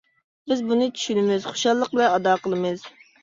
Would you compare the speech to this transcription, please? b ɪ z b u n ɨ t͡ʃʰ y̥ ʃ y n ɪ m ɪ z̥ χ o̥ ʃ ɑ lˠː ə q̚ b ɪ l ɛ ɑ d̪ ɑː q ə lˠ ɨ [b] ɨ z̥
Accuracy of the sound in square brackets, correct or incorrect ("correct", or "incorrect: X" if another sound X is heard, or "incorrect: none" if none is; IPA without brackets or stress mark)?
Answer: incorrect: m